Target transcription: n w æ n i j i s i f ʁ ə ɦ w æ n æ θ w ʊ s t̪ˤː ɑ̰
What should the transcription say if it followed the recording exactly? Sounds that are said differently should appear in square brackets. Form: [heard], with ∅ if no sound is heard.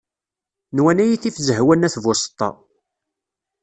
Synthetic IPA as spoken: n w æ n [æ] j i [θ] i f [z] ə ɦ w æ n æ θ [v] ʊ s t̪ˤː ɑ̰